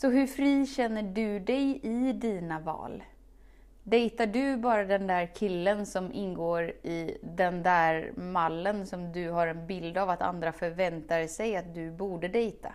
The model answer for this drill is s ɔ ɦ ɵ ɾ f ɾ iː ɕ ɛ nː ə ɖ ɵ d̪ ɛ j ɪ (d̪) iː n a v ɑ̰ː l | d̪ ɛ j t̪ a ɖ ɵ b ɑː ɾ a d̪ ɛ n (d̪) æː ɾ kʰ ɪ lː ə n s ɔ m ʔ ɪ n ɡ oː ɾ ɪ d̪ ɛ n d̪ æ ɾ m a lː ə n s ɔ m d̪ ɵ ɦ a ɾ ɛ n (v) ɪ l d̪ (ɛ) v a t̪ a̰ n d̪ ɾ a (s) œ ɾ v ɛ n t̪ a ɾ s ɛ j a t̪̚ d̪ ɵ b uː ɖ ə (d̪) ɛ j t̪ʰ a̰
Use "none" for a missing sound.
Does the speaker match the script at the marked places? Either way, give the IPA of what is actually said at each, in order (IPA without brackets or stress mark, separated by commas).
d̪, d̪, b, a, f, d̪